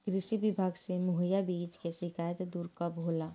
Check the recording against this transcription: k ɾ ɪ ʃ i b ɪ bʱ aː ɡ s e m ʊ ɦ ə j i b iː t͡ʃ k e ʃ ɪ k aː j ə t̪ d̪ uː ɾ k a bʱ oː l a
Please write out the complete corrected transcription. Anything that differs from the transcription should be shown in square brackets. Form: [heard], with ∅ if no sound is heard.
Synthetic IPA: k ɾ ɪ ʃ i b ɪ bʱ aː ɡ s e m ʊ ɦ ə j [a] b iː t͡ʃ k e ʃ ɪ k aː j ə t̪ d̪ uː ɾ k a bʱ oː l a